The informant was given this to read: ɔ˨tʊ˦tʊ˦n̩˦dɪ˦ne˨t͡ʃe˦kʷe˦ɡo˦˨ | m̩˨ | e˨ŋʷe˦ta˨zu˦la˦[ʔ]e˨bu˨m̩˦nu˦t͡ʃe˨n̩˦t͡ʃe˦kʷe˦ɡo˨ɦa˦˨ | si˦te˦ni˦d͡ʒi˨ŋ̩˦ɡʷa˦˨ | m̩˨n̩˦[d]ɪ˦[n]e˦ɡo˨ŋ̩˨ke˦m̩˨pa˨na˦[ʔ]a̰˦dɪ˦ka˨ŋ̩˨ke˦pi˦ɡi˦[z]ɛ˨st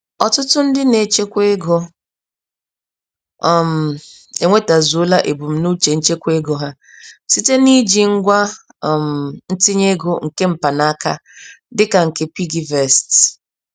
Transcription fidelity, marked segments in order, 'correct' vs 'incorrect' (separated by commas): correct, incorrect, incorrect, incorrect, incorrect